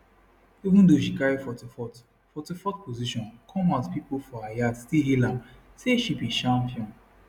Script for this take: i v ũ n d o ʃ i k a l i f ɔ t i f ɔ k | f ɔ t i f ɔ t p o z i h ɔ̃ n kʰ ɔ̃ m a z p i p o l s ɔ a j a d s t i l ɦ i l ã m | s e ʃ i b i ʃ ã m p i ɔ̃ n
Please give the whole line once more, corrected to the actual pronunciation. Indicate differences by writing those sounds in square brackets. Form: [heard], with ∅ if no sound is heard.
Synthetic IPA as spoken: i v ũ n d o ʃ i k a [ɹ] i f ɔ t i f ɔ [t] | f ɔ t i f ɔ t p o z i [ʃ] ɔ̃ n kʰ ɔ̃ m a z p i p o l [f] ɔ a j a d s t i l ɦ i l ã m | s e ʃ i b i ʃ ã m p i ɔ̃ n